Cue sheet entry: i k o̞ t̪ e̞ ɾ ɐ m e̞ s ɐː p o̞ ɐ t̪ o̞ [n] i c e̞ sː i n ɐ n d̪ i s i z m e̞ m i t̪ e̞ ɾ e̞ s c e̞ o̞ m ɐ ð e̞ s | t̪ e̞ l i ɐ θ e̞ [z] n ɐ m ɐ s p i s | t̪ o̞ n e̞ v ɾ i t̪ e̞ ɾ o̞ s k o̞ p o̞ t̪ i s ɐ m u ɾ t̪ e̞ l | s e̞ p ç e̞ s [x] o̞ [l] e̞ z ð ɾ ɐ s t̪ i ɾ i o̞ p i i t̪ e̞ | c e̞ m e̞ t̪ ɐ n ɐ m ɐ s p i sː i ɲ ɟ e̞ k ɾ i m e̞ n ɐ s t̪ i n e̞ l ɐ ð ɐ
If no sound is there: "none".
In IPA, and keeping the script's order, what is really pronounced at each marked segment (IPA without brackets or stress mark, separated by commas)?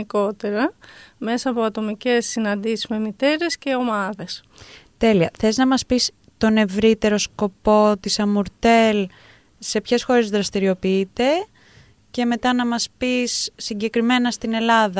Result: m, z, x, ɾ